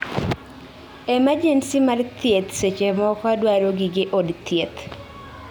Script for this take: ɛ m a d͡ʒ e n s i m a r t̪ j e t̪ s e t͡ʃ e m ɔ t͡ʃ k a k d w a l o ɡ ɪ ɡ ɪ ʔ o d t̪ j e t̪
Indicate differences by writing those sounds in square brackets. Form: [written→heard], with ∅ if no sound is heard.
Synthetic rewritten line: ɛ m a d͡ʒ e n s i m a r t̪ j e t̪ s e t͡ʃ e m ɔ [t͡ʃ→∅] k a [k→∅] d w a [l→ɾ] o ɡ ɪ ɡ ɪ ʔ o d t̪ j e t̪

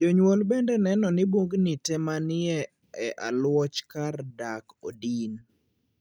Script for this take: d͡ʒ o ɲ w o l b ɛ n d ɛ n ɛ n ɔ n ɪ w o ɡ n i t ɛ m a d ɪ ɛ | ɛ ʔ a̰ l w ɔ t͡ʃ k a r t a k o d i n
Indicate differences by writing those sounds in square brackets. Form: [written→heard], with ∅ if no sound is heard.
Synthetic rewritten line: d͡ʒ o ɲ w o l b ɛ n d ɛ n ɛ n ɔ n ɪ [w→b] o ɡ n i t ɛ m a [d→n] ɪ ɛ | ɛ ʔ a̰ l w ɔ t͡ʃ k a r [t→d] a k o d i n

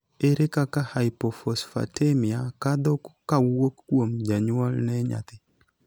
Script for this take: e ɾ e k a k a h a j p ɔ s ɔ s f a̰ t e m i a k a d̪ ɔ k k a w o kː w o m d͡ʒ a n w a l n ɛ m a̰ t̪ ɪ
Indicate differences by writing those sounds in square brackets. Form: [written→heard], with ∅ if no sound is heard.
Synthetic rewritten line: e ɾ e k a k a h a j p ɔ [s→f] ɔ s f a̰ t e m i a k a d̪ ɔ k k a w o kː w o m d͡ʒ a [n→ɲ] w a l n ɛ [m→ɲ] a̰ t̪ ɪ

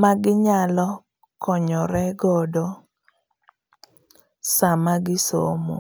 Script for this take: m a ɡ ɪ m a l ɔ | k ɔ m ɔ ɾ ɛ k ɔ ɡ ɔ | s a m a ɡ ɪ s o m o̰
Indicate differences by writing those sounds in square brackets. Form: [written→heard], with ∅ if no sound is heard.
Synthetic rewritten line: m a ɡ ɪ [m→ɲ] a l ɔ | k ɔ [m→ɲ] ɔ ɾ ɛ [k→ɡ] ɔ [ɡ→d] ɔ | s a m a ɡ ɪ s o m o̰

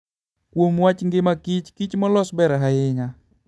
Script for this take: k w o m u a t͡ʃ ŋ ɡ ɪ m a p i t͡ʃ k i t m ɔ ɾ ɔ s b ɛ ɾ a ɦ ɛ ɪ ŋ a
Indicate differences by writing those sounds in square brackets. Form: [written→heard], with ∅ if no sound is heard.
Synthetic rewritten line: k w o m [u→w] a t͡ʃ ŋ ɡ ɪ m a [p→k] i t͡ʃ k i [t→t͡ʃ] m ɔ [ɾ→l] ɔ s b ɛ ɾ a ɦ [ɛ→a] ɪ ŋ a

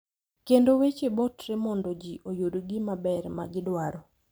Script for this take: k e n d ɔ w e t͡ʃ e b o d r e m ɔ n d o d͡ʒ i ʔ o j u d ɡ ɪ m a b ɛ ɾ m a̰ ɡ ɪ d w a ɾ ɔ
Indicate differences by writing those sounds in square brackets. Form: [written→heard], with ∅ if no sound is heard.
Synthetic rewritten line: k e n d [ɔ→o] w e t͡ʃ e b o [d→t] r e m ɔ n d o d͡ʒ i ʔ o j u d ɡ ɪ m a b ɛ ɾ m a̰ ɡ ɪ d w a ɾ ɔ

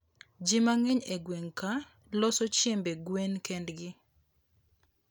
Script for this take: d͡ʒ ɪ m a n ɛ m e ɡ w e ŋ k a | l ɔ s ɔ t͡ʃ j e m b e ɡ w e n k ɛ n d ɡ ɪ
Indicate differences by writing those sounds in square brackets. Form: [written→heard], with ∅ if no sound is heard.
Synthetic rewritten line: d͡ʒ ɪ m a [n→ŋ] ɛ [m→ɲ] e ɡ w e ŋ k a | l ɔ s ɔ t͡ʃ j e m b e ɡ w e n k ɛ n d ɡ ɪ

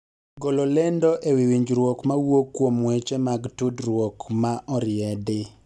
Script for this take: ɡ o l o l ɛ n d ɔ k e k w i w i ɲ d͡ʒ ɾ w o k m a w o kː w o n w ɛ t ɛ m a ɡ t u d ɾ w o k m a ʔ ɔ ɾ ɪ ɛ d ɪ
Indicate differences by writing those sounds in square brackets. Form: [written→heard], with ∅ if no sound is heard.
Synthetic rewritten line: ɡ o l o l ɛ n d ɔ [k→ʔ] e [k→∅] w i w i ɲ d͡ʒ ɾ w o k m a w o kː w o [n→m] w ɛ [t→t͡ʃ] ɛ m a ɡ t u d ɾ w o k m a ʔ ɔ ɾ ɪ ɛ d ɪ

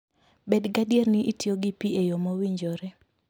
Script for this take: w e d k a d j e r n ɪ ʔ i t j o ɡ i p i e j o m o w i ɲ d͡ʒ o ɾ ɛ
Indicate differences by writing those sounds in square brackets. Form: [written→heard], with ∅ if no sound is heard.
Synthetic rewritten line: [w→b] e d [k→ɡ] a d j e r n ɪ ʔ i t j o ɡ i p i e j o m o w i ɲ d͡ʒ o ɾ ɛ

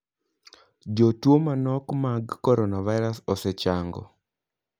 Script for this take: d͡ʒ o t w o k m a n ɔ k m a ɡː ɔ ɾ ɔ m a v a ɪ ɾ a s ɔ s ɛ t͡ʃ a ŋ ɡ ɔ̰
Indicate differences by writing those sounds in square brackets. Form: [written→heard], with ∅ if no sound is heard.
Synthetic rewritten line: d͡ʒ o t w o [k→∅] m a n ɔ k m a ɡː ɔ ɾ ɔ [m→n] a v a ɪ ɾ a s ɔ s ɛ t͡ʃ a ŋ ɡ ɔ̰

